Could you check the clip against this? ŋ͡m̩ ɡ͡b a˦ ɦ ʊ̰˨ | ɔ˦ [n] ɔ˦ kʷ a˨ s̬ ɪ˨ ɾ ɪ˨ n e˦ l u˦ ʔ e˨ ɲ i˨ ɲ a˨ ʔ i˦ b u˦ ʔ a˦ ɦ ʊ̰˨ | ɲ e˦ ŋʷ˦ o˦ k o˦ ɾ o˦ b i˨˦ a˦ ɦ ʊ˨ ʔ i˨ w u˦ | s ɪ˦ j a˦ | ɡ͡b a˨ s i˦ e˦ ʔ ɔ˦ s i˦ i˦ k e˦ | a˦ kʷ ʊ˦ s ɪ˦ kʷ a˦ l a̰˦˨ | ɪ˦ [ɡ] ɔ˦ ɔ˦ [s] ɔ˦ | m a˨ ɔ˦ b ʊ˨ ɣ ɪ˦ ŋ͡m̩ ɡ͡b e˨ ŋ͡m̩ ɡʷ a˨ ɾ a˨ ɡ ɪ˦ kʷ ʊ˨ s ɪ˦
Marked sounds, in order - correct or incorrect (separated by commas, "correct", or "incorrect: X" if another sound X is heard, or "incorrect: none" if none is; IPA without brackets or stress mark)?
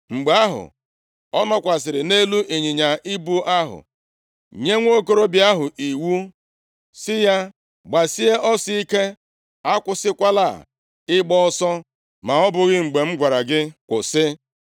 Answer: correct, incorrect: ɡ͡b, correct